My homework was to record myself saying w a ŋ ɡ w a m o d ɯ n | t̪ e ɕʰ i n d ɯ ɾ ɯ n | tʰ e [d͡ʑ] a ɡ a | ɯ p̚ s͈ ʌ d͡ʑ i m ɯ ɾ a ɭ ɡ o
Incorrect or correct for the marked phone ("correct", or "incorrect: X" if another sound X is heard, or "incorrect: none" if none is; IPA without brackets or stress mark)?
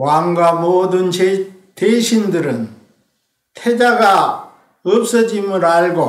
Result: correct